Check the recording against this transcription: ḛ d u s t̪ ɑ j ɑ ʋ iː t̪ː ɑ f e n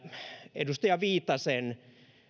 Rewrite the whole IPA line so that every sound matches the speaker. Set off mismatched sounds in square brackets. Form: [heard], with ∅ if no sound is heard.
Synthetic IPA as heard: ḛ d u s t̪ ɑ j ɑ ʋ iː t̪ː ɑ [s] e n